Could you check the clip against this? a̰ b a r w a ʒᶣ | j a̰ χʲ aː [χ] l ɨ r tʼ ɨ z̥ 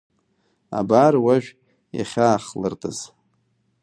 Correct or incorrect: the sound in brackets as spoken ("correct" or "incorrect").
correct